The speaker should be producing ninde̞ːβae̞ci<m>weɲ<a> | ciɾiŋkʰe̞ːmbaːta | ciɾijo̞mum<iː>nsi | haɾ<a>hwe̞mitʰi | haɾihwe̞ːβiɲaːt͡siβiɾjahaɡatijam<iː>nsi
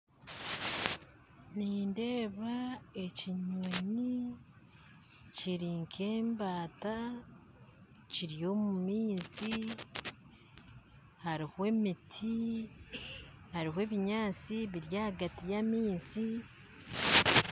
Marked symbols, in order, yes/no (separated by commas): no, no, yes, no, yes